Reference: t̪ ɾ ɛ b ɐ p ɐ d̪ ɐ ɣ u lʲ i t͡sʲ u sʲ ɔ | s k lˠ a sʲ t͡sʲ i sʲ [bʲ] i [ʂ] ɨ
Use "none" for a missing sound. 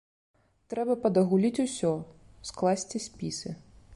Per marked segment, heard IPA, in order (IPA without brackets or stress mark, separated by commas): pʲ, s